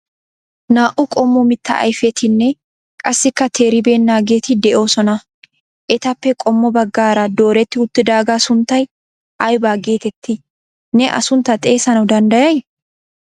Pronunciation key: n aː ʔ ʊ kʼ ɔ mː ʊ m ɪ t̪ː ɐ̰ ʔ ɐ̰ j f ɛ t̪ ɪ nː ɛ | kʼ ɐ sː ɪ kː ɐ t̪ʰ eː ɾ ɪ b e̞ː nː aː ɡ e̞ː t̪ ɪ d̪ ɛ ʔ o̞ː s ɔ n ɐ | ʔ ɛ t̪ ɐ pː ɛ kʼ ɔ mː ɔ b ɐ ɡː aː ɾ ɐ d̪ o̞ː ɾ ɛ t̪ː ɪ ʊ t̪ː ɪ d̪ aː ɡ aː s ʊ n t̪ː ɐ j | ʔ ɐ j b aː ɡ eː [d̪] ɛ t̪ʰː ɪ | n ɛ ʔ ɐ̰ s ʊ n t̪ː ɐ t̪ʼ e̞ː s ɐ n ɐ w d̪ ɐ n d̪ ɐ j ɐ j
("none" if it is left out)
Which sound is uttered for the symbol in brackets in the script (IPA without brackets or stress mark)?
t̪